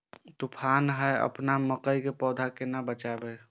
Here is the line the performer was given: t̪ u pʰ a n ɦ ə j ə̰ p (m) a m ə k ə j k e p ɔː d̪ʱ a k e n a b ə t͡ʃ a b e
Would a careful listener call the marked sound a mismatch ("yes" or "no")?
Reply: yes